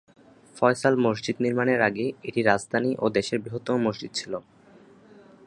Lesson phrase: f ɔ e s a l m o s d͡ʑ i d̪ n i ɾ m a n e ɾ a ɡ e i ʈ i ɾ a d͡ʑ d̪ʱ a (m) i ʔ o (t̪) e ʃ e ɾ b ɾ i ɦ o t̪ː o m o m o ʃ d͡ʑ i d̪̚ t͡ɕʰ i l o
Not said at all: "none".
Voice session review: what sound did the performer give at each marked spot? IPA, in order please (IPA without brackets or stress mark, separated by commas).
n, d̪